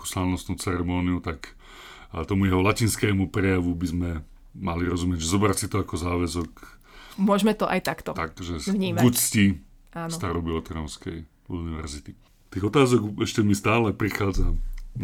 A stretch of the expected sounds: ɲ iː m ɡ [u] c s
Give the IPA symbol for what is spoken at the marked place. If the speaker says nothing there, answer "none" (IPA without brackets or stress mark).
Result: u